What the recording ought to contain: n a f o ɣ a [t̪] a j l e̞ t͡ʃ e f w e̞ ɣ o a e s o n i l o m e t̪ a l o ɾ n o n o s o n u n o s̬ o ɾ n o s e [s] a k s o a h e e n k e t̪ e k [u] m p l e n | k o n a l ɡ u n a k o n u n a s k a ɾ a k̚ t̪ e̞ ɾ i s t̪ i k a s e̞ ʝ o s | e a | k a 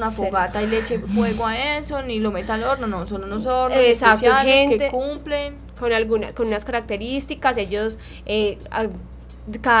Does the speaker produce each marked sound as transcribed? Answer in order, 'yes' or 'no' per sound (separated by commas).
yes, yes, yes